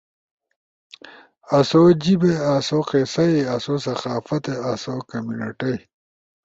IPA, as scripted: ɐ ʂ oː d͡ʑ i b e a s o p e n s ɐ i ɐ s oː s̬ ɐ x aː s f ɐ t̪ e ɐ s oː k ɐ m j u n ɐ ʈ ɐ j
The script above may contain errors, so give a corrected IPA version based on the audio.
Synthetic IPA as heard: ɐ s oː d͡ʑ i b e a s o q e s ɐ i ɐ s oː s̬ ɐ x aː f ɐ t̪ e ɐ s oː k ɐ m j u n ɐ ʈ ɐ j